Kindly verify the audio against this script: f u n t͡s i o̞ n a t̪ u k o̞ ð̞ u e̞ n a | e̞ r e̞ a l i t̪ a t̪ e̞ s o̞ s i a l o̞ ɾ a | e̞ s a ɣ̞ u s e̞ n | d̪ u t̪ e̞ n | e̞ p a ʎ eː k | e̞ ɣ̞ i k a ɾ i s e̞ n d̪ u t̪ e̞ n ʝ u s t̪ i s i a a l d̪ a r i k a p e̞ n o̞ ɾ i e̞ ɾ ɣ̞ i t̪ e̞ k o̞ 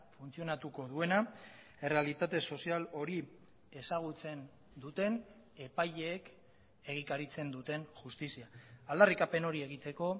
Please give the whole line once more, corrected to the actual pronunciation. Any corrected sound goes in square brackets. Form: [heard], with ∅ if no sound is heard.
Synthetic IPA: f u n t͡s i o̞ n a t̪ u k o̞ ð̞ u e̞ n a | e̞ r e̞ a l i t̪ a t̪ e̞ s o̞ s i a l o̞ ɾ [i] | e̞ s a ɣ̞ u [t͡s] e̞ n | d̪ u t̪ e̞ n | e̞ p a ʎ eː k | e̞ ɣ̞ i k a ɾ i [t͡s] e̞ n d̪ u t̪ e̞ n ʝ u s t̪ i s i a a l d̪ a r i k a p e̞ n o̞ ɾ i e̞ [∅] ɣ̞ i t̪ e̞ k o̞